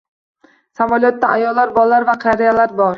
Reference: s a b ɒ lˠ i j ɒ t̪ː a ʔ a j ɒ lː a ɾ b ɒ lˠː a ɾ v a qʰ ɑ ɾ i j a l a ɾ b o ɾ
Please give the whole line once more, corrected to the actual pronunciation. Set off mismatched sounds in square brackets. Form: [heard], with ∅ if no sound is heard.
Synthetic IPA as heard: s a [v] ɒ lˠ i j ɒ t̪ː a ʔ a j ɒ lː a ɾ b ɒ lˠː a ɾ v a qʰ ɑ ɾ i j a l a ɾ b [ɒ] ɾ